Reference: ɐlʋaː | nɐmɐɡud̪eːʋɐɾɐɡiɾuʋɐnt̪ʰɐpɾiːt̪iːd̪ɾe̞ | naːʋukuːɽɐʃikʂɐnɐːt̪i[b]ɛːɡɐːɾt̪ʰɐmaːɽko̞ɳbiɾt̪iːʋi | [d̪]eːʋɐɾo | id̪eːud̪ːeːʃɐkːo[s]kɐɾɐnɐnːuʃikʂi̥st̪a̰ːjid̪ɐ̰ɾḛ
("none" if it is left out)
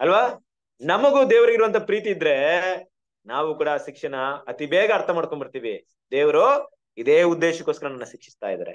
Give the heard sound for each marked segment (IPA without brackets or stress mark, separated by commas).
b, d̪, s